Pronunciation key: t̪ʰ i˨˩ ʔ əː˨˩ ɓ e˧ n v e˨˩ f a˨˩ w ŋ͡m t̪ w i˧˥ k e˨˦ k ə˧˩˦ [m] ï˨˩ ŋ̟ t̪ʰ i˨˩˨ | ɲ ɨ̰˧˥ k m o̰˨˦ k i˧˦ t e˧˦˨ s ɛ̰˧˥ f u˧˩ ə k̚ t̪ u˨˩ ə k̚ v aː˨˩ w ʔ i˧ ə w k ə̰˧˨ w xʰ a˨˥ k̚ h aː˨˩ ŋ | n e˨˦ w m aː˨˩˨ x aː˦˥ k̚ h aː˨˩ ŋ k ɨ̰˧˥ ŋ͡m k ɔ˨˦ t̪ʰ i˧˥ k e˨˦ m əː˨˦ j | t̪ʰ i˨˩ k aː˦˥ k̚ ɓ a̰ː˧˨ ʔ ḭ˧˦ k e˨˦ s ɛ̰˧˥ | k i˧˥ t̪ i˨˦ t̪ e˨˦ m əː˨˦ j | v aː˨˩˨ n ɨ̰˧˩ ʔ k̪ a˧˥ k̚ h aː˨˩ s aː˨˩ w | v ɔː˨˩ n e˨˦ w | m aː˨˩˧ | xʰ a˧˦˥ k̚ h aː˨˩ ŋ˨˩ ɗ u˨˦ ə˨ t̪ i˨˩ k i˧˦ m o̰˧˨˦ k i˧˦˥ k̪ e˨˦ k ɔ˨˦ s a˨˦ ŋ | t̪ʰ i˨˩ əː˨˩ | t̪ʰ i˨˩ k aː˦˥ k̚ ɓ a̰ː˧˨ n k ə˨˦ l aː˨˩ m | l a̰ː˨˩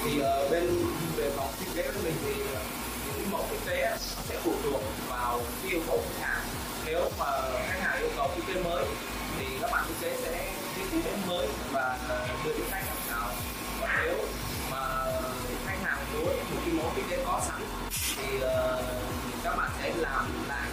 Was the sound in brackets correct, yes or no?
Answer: yes